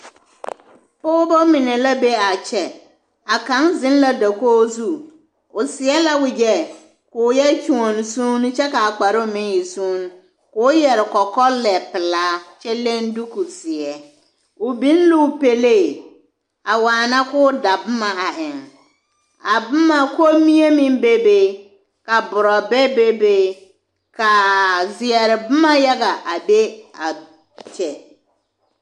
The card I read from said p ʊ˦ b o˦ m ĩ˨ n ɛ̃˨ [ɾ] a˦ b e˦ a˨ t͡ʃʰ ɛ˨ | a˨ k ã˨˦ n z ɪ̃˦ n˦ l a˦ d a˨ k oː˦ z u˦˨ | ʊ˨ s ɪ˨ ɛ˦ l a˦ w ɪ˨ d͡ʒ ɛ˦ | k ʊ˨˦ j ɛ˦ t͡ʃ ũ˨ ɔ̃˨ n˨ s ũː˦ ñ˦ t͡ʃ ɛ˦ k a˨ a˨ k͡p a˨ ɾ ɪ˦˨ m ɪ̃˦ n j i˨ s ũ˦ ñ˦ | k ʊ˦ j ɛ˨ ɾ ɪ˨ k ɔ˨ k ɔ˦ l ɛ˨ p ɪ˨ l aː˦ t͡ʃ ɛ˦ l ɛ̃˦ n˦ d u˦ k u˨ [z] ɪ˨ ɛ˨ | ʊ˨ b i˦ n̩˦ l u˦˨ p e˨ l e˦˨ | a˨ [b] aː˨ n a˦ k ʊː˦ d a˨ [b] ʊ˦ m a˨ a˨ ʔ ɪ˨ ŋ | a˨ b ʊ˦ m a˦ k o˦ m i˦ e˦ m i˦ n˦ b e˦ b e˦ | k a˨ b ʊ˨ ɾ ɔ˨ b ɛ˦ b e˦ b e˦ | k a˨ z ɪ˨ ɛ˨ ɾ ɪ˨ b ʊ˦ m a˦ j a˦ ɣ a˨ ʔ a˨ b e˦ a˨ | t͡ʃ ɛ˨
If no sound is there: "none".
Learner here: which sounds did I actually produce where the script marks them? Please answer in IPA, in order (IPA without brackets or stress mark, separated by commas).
l, s, w, b